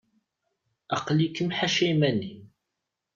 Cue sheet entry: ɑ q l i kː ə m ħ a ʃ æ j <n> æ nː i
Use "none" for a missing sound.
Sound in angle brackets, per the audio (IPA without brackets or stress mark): m